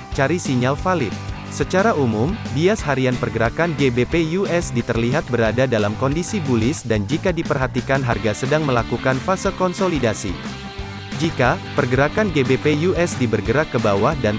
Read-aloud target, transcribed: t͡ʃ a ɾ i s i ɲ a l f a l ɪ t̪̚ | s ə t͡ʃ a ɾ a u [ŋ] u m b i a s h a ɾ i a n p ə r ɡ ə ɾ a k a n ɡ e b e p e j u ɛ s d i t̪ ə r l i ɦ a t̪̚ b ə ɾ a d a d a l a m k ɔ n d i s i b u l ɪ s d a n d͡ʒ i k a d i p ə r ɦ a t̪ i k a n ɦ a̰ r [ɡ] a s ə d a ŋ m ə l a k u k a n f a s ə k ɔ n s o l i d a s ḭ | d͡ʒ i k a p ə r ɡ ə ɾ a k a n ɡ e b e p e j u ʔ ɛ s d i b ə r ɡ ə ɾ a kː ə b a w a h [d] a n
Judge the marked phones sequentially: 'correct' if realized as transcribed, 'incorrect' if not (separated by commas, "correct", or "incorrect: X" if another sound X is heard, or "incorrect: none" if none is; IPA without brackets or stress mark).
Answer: incorrect: m, correct, correct